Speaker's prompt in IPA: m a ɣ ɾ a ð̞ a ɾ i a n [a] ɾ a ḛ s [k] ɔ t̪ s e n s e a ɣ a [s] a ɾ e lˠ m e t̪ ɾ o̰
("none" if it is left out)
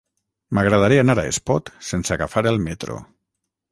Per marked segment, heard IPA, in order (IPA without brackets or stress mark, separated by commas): a, p, f